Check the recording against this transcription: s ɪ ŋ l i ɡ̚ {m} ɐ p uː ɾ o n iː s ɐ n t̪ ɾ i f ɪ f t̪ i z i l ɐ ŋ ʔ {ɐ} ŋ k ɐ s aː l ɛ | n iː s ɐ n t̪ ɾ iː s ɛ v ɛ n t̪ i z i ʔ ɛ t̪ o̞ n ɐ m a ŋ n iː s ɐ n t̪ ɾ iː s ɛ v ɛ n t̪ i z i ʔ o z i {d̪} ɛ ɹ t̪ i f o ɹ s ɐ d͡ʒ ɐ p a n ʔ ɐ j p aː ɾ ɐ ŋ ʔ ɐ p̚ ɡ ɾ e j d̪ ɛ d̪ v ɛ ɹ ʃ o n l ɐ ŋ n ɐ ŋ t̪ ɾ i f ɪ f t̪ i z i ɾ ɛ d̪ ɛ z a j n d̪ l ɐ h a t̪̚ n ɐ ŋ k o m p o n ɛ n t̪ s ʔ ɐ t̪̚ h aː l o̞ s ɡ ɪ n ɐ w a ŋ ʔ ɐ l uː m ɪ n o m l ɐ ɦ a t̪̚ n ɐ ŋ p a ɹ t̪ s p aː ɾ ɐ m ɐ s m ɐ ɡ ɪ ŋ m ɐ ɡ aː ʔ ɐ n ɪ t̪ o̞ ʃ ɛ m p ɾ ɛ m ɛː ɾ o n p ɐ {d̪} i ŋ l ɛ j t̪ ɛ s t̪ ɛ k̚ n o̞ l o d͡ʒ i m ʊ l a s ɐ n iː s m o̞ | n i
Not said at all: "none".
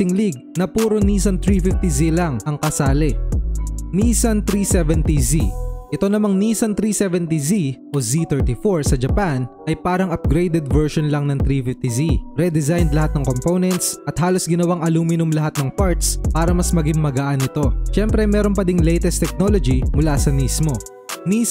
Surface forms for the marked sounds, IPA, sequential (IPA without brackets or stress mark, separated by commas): n, ɐ, t̪, d̪